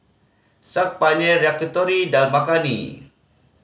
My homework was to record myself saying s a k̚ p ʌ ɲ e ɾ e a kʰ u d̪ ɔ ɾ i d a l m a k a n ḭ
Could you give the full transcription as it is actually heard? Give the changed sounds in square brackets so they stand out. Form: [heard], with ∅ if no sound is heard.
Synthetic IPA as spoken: s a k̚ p [a] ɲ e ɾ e a [k] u [t̪] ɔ ɾ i d a l m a k a n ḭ